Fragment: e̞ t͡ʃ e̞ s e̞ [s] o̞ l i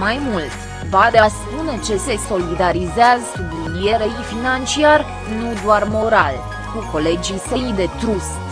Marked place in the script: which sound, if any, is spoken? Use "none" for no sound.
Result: s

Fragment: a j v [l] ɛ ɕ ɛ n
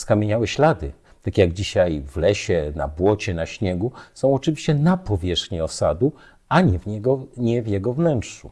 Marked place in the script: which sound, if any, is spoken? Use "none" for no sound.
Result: l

